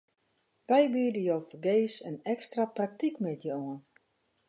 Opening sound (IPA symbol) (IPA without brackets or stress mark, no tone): ʋ